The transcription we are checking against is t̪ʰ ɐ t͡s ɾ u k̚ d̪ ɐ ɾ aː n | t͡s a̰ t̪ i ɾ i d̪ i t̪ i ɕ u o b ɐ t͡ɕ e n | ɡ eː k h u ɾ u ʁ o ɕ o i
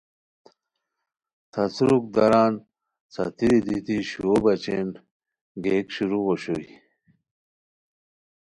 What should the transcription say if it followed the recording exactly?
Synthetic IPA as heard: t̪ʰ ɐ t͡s ɾ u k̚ d̪ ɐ ɾ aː n | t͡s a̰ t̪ i ɾ i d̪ i t̪ i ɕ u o b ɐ t͡ɕ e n | ɡ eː k ɕ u ɾ u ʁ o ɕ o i